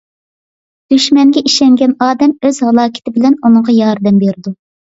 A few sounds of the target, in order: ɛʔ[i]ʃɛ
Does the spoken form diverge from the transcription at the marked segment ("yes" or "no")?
no